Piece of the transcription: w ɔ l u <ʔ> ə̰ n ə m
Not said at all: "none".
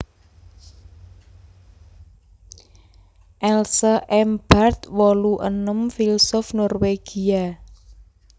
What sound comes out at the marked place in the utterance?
ʔ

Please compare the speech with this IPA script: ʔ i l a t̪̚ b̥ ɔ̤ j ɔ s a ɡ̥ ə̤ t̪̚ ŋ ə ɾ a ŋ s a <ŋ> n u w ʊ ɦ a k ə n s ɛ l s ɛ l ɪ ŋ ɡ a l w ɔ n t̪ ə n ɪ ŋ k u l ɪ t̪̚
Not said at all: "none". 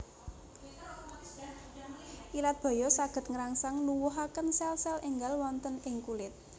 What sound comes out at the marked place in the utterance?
ŋ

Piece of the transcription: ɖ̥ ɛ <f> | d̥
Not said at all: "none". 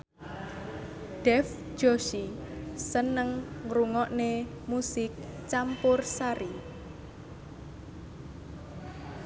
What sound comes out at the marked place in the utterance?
f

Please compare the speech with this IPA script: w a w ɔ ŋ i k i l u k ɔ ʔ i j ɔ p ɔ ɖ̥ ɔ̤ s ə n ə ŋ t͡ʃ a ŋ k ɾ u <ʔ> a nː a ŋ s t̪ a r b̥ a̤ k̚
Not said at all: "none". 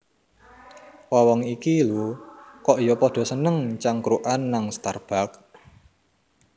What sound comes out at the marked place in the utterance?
ʔ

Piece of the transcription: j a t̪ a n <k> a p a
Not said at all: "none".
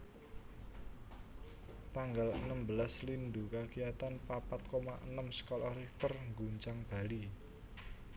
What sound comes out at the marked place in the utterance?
p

